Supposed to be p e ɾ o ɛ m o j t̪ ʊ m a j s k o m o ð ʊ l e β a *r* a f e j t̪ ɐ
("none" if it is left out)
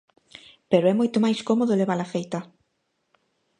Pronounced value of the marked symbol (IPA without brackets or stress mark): l